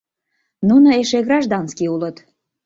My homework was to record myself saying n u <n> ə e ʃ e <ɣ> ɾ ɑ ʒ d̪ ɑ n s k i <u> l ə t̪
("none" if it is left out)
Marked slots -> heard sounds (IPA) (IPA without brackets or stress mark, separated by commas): n, ɣ, u